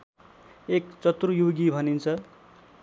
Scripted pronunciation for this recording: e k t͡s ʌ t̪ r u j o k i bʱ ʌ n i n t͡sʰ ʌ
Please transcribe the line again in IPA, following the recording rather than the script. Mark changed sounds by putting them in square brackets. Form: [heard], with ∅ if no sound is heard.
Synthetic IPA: e k t͡s ʌ t̪ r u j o [ɡ] i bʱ ʌ n i n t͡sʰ ʌ